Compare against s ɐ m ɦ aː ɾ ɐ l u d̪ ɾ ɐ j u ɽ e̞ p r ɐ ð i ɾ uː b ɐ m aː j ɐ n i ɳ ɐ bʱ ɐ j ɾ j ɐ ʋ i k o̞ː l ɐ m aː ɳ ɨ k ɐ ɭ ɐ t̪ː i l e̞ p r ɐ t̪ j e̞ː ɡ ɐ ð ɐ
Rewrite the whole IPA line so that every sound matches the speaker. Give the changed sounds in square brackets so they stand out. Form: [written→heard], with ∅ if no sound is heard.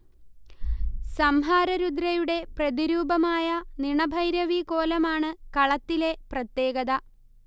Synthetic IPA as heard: s ɐ m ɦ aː ɾ ɐ [l→ɾ] u d̪ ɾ ɐ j u ɽ e̞ p r ɐ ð i ɾ uː b ɐ m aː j ɐ n i ɳ ɐ bʱ ɐ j ɾ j ɐ ʋ i k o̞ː l ɐ m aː ɳ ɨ k ɐ ɭ ɐ t̪ː i l e̞ p r ɐ t̪ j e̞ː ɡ ɐ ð ɐ